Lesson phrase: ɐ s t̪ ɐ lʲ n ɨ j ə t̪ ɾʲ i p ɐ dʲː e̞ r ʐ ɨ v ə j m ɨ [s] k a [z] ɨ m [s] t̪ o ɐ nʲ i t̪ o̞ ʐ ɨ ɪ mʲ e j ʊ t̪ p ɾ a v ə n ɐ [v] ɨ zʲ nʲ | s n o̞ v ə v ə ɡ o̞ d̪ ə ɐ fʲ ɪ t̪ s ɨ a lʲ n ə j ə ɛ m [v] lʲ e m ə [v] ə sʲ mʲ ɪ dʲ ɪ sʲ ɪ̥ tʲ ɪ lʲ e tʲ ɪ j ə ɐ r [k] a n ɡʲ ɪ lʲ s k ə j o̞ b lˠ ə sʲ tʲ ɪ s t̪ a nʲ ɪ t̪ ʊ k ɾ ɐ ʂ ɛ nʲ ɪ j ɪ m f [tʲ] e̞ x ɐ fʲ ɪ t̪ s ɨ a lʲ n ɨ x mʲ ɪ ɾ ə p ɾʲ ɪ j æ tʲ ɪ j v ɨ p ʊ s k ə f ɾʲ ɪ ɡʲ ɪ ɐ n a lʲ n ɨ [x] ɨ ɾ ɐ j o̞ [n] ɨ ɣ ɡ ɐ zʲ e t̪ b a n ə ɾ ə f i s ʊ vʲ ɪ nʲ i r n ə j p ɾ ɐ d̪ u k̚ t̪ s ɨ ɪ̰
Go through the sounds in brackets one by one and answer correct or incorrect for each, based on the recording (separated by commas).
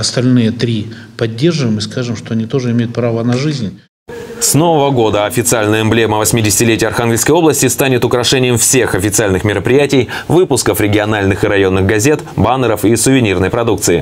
correct, incorrect, incorrect, incorrect, incorrect, correct, incorrect, incorrect, correct, incorrect